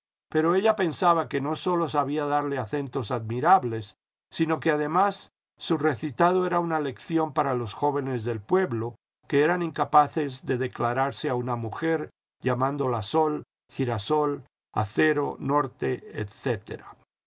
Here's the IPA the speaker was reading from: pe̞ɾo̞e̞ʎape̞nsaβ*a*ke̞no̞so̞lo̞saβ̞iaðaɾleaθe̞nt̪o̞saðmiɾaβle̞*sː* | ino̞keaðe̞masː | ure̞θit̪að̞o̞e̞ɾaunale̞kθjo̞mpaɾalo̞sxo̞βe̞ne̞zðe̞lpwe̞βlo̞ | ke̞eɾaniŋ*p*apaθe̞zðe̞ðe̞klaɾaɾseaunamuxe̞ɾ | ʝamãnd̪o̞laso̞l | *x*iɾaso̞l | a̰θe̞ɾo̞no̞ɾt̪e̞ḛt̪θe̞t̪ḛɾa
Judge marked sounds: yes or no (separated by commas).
yes, yes, no, yes